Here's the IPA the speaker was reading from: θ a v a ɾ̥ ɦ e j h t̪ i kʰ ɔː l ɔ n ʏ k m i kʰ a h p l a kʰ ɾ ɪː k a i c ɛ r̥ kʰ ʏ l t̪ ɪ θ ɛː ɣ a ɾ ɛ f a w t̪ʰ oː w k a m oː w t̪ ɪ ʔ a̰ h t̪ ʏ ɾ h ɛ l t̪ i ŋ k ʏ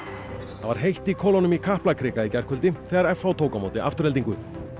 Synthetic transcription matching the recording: θ a v a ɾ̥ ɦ e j h t̪ i kʰ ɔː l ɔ n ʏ m i kʰ a h p l a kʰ ɾ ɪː k a i c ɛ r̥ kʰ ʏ l t̪ ɪ θ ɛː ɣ a ɾ ɛ f a w t̪ʰ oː w k a m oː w t̪ ɪ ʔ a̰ f t̪ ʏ ɾ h ɛ l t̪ i ŋ k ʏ